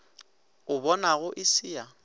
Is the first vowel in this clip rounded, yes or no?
yes